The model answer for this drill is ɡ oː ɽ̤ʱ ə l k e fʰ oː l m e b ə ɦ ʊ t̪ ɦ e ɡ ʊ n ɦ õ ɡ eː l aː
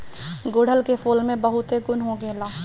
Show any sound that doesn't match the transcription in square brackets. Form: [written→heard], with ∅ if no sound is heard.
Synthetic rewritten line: ɡ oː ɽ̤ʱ ə l k e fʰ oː l m [e→ẽ] b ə ɦ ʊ t̪ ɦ e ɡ ʊ n ɦ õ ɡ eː l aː

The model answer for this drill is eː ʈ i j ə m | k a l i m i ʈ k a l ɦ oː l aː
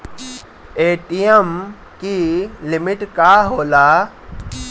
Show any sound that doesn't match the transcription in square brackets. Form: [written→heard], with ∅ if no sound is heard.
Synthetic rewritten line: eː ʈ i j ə m | k [a→i] l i m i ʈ k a [l→∅] ɦ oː l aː

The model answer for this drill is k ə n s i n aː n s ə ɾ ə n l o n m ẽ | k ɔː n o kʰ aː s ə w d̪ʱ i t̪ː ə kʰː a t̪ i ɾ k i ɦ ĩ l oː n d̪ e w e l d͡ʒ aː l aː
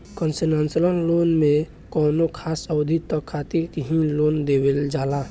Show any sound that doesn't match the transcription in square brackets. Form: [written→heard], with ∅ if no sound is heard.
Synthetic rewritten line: k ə n s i n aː n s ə [ɾ→l] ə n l o n m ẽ | k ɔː n o kʰ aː s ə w d̪ʱ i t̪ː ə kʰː a t̪ i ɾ k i ɦ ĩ l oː n d̪ e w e l d͡ʒ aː l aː

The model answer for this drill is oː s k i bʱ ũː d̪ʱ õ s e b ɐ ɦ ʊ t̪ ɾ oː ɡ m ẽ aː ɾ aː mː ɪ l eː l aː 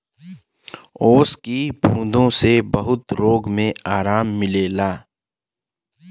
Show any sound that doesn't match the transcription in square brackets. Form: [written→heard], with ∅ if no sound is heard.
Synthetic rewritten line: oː s k i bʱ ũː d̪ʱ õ s e b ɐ ɦ ʊ t̪ ɾ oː ɡ m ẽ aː ɾ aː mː ɪ l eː l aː

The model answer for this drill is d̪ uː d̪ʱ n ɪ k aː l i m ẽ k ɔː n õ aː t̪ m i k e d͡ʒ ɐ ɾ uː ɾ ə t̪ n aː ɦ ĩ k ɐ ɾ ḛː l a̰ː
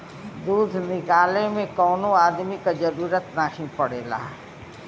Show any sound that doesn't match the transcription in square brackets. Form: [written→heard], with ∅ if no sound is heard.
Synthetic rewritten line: d̪ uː d̪ʱ n ɪ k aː l [i→e] m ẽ k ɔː n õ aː [t̪→d̪] m i k [e→a] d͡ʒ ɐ ɾ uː ɾ ə t̪ n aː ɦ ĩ [k→p] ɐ [ɾ→ɽ] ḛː l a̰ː

